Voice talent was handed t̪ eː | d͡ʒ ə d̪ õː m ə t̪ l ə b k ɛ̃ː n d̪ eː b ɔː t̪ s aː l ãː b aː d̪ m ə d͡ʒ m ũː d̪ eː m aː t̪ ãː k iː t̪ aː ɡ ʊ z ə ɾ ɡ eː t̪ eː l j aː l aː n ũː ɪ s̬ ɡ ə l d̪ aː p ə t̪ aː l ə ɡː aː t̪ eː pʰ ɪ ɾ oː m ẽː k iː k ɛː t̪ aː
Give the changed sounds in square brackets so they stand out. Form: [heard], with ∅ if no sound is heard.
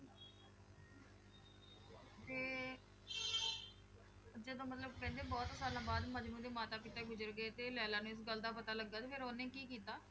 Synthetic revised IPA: t̪ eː | d͡ʒ ə d̪ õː m ə t̪ l ə b k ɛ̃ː n d̪ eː b ɔː t̪ s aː l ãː b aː d̪ m ə d͡ʒ m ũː d̪ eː m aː t̪ [aː] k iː t̪ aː ɡ ʊ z ə ɾ ɡ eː t̪ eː l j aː l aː n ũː ɪ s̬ ɡ ə l d̪ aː p ə t̪ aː l ə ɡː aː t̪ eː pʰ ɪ ɾ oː [n] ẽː k iː k [iː] t̪ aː